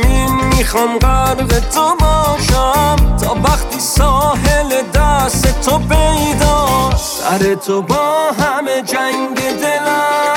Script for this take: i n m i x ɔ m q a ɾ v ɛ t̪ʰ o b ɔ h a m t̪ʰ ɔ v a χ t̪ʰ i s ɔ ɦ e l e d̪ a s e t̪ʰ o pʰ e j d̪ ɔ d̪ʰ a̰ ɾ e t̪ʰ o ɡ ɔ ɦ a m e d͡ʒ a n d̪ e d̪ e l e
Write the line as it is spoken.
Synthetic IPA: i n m i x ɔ m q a ɾ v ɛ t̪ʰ o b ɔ ʃ a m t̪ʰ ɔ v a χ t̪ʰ i s ɔ ɦ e l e d̪ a s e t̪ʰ o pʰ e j d̪ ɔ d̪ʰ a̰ ɾ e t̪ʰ o b ɔ ɦ a m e d͡ʒ a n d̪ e d̪ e l a